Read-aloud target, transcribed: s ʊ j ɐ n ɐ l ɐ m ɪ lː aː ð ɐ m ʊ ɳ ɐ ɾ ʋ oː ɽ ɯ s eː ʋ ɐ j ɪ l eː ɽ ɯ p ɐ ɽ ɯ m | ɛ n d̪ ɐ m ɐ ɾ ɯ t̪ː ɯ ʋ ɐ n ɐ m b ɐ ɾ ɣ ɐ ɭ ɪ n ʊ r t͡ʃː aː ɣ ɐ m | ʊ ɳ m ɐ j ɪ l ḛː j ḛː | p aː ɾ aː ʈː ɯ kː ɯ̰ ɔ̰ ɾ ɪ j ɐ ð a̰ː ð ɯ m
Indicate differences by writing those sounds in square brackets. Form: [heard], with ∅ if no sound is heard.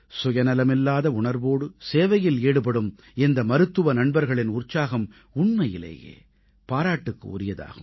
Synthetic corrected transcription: s ʊ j ɐ n ɐ l ɐ m ɪ lː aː ð ɐ [∅] ʊ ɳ ɐ ɾ ʋ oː ɽ ɯ s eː ʋ ɐ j ɪ l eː ɽ ɯ p ɐ ɽ ɯ m | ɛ n d̪ ɐ m ɐ ɾ ɯ t̪ː ɯ ʋ ɐ n ɐ [ɳ] b ɐ ɾ ɣ ɐ ɭ ɪ n ʊ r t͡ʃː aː ɣ ɐ m | ʊ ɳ m ɐ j ɪ l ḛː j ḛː | p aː ɾ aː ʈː ɯ kː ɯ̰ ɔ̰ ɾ ɪ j ɐ ð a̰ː [ɣ] ɯ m

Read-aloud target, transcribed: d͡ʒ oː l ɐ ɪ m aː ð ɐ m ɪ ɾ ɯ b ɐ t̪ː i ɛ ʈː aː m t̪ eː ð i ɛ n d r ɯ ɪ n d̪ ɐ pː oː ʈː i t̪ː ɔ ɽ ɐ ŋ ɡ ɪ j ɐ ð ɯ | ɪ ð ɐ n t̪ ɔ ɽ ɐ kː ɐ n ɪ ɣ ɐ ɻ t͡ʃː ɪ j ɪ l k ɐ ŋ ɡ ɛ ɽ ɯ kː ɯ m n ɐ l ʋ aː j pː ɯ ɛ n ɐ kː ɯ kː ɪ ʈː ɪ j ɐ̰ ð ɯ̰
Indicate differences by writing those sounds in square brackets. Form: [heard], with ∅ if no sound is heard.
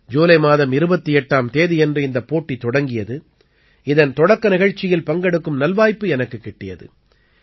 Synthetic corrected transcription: d͡ʒ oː l ɐ ɪ m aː ð ɐ m ɪ ɾ ɯ b ɐ t̪ː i ɛ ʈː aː m t̪ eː ð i ɛ n d r ɯ ɪ n d̪ ɐ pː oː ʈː i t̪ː ɔ ɽ ɐ ŋ ɡ ɪ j ɐ ð ɯ | ɪ ð ɐ n t̪ ɔ ɽ ɐ kː ɐ n ɪ ɣ ɐ ɻ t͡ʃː ɪ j ɪ l [p] ɐ ŋ ɡ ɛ ɽ ɯ kː ɯ m n ɐ l ʋ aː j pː ɯ ɛ n ɐ kː ɯ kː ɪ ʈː ɪ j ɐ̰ ð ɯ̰

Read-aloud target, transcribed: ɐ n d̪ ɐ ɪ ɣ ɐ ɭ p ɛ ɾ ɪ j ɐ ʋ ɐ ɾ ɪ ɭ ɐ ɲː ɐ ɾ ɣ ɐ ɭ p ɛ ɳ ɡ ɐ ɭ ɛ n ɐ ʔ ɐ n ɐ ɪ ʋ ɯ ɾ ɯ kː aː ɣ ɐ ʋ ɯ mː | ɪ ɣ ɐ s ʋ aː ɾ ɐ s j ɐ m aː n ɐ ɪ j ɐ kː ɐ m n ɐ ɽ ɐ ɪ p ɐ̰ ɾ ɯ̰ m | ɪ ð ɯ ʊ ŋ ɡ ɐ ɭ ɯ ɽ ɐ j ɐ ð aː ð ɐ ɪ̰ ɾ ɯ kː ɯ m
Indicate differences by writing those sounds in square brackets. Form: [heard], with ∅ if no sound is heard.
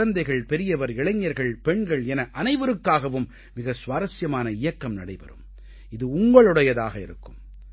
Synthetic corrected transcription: ɐ n d̪ ɐ ɪ ɣ ɐ ɭ p ɛ ɾ ɪ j ɐ ʋ ɐ ɾ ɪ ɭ ɐ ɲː ɐ ɾ ɣ ɐ ɭ p ɛ ɳ ɡ ɐ ɭ ɛ n ɐ ʔ ɐ n ɐ ɪ ʋ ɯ ɾ ɯ kː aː ɣ ɐ ʋ ɯ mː | ɪ ɣ ɐ s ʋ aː ɾ ɐ s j ɐ m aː n ɐ ɪ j ɐ kː ɐ m n ɐ ɽ ɐ ɪ p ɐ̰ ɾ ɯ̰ m | ɪ ð ɯ ʊ ŋ ɡ ɐ ɭ ɯ ɽ ɐ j ɐ ð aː [ɣ] ɐ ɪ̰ ɾ ɯ kː ɯ m

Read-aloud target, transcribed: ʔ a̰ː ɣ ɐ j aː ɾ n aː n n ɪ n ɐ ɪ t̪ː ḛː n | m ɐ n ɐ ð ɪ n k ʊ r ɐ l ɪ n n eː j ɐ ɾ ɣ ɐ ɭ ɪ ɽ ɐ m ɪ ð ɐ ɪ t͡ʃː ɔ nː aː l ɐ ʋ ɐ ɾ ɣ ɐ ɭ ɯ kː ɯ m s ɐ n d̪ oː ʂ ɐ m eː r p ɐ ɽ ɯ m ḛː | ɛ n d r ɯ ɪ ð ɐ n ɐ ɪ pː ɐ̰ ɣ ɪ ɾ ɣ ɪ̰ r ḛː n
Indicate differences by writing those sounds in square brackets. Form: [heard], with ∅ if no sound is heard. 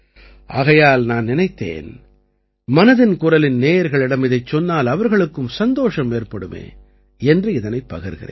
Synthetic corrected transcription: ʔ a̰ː ɣ ɐ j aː [l] n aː n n ɪ n ɐ ɪ t̪ː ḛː n | m ɐ n ɐ ð ɪ n k ʊ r ɐ l ɪ n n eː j ɐ ɾ ɣ ɐ ɭ ɪ ɽ ɐ m ɪ ð ɐ ɪ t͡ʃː ɔ nː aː l ɐ ʋ ɐ ɾ ɣ ɐ ɭ ɯ kː ɯ m s ɐ n d̪ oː ʂ ɐ m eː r p ɐ ɽ ɯ m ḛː | ɛ n d r ɯ ɪ ð ɐ n ɐ ɪ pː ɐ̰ ɣ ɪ ɾ ɣ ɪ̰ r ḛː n

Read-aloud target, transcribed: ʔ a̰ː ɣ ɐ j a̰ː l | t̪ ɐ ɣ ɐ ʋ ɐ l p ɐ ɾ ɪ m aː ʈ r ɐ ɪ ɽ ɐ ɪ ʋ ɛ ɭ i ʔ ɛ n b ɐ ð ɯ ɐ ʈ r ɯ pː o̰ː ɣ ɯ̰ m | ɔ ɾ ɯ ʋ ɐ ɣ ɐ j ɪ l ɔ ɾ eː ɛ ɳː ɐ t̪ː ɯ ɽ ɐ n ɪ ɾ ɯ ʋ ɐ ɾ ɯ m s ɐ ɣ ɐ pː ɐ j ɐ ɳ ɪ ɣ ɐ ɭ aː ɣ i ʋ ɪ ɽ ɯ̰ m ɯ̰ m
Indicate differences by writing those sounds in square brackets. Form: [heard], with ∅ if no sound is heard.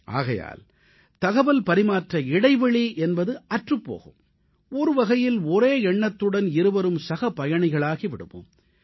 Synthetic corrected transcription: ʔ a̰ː ɣ ɐ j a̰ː l | t̪ ɐ ɣ ɐ ʋ ɐ l p ɐ ɾ ɪ m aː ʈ r ɐ ɪ ɽ ɐ ɪ ʋ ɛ ɭ i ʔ ɛ n b ɐ ð ɯ ɐ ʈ r ɯ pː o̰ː ɣ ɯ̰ m | ɔ ɾ ɯ ʋ ɐ ɣ ɐ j ɪ l ɔ ɾ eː ɛ ɳː ɐ t̪ː ɯ ɽ ɐ n ɪ ɾ ɯ ʋ ɐ ɾ ɯ m s ɐ ɣ ɐ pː ɐ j ɐ ɳ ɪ ɣ ɐ ɭ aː ɣ i ʋ ɪ ɽ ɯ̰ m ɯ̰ m

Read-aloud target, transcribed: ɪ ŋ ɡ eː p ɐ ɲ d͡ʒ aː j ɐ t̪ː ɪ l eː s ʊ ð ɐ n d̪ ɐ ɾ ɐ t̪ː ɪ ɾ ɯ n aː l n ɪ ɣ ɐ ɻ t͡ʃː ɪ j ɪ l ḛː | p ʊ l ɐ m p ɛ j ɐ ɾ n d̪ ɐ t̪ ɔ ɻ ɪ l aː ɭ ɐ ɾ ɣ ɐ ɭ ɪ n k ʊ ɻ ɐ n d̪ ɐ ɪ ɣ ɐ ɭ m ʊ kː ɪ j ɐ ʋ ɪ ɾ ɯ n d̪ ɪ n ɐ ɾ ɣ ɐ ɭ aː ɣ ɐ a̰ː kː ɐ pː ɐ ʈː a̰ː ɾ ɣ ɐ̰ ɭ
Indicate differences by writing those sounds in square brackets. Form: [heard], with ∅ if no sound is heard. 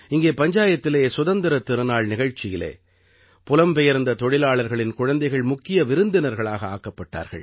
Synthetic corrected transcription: ɪ ŋ ɡ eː p ɐ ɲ d͡ʒ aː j ɐ t̪ː ɪ l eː s ʊ ð ɐ n d̪ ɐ ɾ ɐ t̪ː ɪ ɾ ɯ n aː [ɭ] n ɪ ɣ ɐ ɻ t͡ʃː ɪ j ɪ l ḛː | p ʊ l ɐ m p ɛ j ɐ ɾ n d̪ ɐ t̪ ɔ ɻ ɪ l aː ɭ ɐ ɾ ɣ ɐ ɭ ɪ n k ʊ ɻ ɐ n d̪ ɐ ɪ ɣ ɐ ɭ m ʊ kː ɪ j ɐ ʋ ɪ ɾ ɯ n d̪ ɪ n ɐ ɾ ɣ ɐ ɭ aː ɣ ɐ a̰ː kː ɐ pː ɐ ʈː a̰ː ɾ ɣ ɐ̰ ɭ

